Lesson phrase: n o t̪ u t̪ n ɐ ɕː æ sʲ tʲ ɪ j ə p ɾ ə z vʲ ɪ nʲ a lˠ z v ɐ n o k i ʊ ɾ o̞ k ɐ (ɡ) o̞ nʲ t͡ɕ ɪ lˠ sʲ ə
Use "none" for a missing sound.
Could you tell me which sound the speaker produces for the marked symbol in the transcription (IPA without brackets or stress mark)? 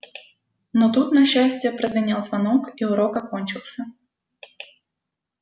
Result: k